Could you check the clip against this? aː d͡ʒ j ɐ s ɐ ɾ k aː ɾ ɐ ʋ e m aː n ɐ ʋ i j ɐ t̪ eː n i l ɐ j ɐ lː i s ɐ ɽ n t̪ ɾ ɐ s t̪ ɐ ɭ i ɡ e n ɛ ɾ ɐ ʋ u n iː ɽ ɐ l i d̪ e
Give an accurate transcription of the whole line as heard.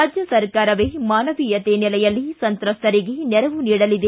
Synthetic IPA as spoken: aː d͡ʒ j ɐ s ɐ ɾ k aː ɾ ɐ ʋ e m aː n ɐ ʋ i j ɐ t̪ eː n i l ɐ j ɐ lː i s ɐ n t̪ ɾ ɐ s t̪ ɐ ɾ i ɡ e n ɛ ɾ ɐ ʋ u n iː ɽ ɐ l i d̪ e